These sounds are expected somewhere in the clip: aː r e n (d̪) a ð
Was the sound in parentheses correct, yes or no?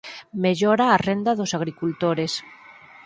yes